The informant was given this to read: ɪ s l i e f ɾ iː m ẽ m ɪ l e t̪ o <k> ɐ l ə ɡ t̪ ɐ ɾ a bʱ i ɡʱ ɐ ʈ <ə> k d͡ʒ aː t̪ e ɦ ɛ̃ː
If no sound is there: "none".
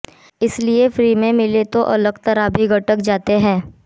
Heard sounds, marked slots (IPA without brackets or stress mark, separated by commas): ʔ, ə